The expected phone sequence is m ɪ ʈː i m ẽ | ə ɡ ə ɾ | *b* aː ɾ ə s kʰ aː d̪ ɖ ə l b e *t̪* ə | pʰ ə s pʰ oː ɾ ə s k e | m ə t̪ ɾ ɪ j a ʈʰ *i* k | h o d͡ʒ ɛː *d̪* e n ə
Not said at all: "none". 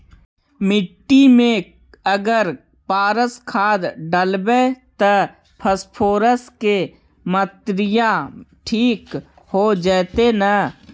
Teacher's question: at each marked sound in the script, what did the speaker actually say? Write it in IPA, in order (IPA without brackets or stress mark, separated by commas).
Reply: p, t̪, iː, t̪